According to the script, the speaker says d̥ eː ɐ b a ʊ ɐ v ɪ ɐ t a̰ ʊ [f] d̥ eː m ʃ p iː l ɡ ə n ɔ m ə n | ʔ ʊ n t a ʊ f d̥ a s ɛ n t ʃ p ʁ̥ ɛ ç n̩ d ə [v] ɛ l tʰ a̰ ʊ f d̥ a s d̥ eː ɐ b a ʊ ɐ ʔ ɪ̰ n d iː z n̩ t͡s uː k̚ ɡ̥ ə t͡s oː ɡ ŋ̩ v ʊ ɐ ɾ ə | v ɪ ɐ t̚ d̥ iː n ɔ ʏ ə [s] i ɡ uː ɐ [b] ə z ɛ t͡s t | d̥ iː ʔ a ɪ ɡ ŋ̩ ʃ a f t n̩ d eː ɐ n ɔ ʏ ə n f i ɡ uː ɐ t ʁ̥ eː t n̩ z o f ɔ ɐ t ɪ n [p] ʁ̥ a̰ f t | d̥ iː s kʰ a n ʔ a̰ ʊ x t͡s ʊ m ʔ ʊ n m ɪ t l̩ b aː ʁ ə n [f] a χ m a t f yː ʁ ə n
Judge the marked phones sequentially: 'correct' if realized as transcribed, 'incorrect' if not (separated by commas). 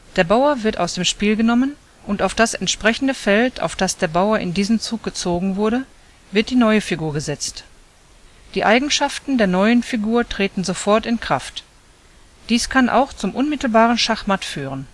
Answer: incorrect, incorrect, incorrect, incorrect, incorrect, incorrect